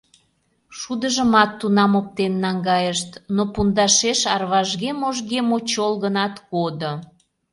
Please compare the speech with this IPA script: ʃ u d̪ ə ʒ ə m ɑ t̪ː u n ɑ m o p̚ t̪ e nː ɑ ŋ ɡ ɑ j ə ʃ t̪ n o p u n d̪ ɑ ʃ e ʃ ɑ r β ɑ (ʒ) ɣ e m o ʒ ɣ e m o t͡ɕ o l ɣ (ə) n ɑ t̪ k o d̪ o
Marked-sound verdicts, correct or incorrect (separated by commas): correct, correct